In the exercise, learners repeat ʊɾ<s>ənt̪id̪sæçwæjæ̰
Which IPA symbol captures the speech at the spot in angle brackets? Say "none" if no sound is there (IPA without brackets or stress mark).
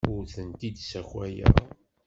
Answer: θ